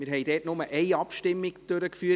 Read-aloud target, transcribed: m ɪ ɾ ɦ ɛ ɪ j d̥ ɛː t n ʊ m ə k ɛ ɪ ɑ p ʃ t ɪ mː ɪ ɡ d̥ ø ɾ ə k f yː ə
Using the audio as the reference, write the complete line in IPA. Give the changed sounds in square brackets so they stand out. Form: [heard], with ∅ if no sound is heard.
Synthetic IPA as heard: m ɪ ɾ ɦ ɛ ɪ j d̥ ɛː t n ʊ m ə [ʔ] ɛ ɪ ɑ p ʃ t ɪ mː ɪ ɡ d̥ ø ɾ ə k f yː ə